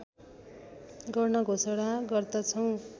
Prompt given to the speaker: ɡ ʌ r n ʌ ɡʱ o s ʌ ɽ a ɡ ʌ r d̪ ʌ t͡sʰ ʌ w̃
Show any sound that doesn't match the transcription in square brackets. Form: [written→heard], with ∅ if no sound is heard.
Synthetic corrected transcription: ɡ ʌ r n ʌ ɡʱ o s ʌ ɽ a ɡ ʌ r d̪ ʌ t͡sʰ ʌ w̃